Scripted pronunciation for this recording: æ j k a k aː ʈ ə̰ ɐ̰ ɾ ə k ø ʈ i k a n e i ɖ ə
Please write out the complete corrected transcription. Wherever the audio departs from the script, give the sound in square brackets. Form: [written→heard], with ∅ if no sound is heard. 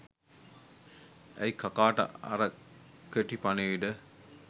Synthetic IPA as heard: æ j k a k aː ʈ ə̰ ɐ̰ ɾ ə k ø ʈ i [k→p] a n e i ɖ ə